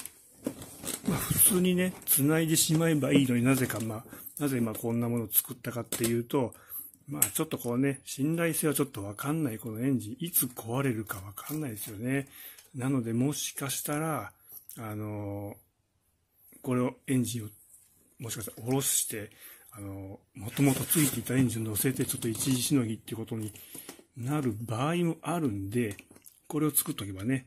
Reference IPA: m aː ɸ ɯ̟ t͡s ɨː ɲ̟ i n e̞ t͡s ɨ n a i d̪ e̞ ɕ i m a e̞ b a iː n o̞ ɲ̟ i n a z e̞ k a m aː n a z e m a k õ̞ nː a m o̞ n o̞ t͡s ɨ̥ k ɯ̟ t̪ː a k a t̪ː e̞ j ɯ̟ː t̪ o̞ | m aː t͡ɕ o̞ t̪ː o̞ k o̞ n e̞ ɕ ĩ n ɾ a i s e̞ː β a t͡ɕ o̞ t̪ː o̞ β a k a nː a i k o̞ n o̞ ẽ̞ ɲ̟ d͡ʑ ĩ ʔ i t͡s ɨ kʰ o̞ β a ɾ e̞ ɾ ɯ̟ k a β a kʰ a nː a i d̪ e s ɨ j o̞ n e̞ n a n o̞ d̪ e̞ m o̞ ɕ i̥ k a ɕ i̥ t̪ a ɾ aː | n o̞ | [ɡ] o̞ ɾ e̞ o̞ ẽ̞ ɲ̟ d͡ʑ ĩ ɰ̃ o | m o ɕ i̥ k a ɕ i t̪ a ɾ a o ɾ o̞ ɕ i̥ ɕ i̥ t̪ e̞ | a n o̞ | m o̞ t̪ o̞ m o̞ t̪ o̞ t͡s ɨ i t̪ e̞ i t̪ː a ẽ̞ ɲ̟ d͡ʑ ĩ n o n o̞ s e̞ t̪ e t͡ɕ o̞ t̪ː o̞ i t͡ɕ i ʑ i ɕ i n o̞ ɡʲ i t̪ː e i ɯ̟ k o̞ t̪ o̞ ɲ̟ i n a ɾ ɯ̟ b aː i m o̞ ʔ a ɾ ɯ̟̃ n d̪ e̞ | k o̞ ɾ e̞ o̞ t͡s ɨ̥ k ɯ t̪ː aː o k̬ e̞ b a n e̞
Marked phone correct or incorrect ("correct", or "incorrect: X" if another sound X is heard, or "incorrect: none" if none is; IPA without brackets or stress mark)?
incorrect: k